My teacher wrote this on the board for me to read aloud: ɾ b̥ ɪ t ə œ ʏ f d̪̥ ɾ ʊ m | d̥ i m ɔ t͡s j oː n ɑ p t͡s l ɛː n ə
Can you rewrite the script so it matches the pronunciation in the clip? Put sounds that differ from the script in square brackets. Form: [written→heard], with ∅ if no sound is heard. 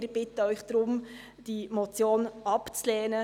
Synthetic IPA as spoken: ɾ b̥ ɪ t ə œ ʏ [f→χ] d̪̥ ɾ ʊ m | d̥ i m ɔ t͡s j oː n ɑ p t͡s l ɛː n ə